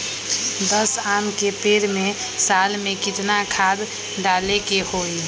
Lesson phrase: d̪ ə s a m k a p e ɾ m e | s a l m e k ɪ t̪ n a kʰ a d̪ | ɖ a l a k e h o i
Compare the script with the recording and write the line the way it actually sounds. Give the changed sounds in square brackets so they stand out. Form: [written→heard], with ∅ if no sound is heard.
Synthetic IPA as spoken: d̪ ə s a m k [a→e] p e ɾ m e | s a l m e k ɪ t̪ n a kʰ a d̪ | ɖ a l [a→e] k e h o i